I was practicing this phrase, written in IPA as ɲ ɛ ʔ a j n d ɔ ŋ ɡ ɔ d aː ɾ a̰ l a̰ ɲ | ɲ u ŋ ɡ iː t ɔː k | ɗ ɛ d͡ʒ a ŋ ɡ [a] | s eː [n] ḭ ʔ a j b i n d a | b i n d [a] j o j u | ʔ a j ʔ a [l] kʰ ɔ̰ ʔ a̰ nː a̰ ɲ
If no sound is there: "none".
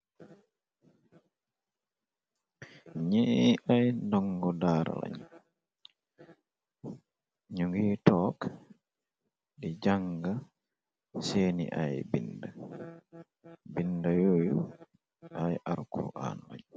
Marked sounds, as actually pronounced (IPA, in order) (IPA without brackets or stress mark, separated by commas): a, n, a, ɾ